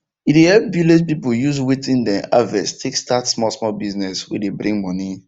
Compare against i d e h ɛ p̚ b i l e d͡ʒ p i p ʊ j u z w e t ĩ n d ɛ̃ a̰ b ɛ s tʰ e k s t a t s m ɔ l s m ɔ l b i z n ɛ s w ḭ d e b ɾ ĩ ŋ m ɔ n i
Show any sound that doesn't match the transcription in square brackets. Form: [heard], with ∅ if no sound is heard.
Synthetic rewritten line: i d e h ɛ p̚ b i l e d͡ʒ p i p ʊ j u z w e t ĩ n d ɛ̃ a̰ [v] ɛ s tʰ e k s t a t s m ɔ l s m ɔ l b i z n ɛ s w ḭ d e b ɾ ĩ ŋ m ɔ n i